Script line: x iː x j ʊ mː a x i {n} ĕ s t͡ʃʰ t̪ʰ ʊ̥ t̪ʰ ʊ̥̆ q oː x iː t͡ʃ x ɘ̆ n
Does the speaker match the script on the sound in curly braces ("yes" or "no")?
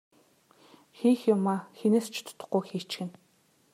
yes